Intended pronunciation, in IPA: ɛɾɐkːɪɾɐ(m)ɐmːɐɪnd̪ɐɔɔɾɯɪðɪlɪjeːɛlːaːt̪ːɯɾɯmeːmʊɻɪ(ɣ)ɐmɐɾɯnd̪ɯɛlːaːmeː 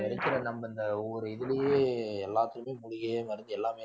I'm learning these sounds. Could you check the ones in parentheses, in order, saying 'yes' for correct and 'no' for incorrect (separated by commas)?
no, yes